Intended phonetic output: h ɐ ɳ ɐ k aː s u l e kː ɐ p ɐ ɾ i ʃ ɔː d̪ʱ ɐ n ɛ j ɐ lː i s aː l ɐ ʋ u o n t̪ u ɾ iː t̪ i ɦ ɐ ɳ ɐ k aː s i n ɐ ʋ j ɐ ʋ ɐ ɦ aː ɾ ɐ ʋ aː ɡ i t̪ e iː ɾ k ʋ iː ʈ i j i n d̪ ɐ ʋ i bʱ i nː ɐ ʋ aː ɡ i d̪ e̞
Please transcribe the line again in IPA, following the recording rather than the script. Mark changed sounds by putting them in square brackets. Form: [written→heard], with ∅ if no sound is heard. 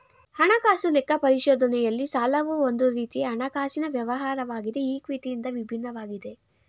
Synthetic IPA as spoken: h ɐ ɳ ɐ k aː s u l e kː ɐ p ɐ ɾ i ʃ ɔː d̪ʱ ɐ n ɛ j ɐ lː i s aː l ɐ ʋ u o n [t̪→d̪] u ɾ iː t̪ i ɦ ɐ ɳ ɐ k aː s i n ɐ ʋ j ɐ ʋ ɐ ɦ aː ɾ ɐ ʋ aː ɡ i [t̪→d̪] e iː [ɾ→∅] k ʋ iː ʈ i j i n d̪ ɐ ʋ i bʱ i nː ɐ ʋ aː ɡ i d̪ e̞